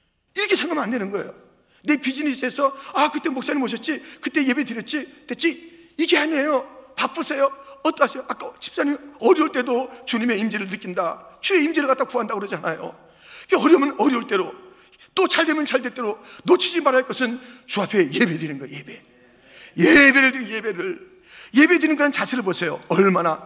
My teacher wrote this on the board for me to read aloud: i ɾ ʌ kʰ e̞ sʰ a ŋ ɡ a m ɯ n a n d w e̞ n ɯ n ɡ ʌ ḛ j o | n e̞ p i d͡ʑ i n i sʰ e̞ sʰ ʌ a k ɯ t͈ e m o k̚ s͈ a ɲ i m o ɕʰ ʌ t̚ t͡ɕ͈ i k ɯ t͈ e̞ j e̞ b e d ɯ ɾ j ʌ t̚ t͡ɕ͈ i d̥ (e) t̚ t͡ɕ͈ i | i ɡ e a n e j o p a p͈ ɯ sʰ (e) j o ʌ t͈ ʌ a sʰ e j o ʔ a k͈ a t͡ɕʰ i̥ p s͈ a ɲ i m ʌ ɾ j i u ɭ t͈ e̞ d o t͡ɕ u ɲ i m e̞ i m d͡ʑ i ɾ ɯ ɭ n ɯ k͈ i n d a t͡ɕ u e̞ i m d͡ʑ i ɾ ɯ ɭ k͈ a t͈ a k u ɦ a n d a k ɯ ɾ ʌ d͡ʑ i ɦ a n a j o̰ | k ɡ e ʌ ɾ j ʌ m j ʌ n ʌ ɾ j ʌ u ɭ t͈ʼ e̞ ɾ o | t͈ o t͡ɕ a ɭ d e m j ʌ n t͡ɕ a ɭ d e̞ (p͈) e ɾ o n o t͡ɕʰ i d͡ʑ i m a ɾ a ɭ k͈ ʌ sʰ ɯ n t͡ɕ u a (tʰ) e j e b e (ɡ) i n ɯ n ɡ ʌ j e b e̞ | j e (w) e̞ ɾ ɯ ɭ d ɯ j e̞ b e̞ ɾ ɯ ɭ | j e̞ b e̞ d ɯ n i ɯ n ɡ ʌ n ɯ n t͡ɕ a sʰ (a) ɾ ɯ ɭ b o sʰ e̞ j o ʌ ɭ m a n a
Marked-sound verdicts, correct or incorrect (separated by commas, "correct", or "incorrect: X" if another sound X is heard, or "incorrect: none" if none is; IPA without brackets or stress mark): correct, correct, incorrect: t͈, incorrect: pʰ, incorrect: d, incorrect: b, incorrect: e